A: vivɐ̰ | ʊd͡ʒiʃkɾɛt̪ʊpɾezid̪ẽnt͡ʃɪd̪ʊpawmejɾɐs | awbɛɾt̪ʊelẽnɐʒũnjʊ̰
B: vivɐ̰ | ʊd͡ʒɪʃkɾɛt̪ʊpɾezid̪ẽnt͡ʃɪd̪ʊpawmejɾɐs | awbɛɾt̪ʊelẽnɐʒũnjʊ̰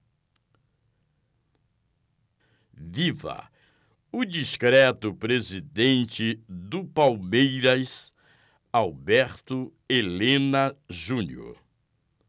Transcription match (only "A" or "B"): A